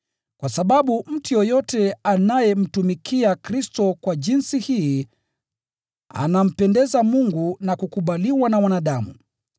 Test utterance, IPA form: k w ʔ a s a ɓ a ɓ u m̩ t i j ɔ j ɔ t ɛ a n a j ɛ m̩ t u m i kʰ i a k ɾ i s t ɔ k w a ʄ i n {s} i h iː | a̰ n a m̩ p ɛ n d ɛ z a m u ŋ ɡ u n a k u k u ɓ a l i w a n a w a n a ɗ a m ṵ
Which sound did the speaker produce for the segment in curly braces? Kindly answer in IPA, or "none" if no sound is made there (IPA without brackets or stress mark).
s